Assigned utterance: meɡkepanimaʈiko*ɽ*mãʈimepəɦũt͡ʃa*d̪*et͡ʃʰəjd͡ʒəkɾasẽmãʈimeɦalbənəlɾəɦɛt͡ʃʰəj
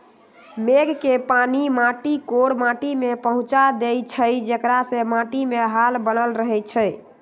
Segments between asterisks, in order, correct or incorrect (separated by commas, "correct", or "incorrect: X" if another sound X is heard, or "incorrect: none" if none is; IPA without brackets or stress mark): correct, correct